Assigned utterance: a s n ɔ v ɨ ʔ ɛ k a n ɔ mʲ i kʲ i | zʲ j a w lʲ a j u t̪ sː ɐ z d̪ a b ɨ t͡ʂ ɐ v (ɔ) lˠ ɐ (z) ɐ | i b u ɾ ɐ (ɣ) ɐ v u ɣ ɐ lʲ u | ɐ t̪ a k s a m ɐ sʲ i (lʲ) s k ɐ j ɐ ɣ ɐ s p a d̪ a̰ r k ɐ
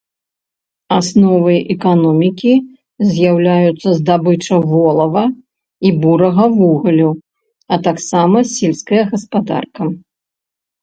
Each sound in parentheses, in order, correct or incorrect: correct, incorrect: v, correct, correct

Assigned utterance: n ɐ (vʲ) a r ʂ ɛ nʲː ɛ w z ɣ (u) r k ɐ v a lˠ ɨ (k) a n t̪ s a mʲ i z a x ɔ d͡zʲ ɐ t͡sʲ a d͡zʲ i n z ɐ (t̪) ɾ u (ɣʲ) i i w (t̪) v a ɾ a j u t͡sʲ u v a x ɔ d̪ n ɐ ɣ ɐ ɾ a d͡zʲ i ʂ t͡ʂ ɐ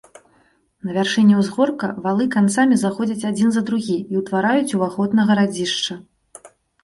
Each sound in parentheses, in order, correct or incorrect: correct, incorrect: ɔ, correct, incorrect: d̪, correct, correct

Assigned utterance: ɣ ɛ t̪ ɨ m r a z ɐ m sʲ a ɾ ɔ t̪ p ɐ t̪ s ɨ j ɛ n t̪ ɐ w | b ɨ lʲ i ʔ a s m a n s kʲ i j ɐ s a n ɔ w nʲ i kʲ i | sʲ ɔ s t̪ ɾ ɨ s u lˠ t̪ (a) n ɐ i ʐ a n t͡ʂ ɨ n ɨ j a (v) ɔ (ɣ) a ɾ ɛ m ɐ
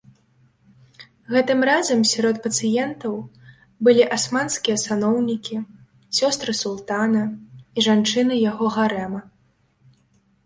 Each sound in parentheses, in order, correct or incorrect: correct, incorrect: ɣ, correct

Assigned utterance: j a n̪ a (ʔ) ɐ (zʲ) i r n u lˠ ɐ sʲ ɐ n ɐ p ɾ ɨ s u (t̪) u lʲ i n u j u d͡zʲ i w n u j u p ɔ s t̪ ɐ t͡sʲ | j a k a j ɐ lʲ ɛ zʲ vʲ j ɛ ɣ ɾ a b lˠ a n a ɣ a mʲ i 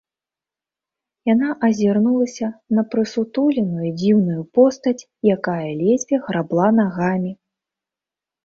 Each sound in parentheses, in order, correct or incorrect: correct, correct, correct

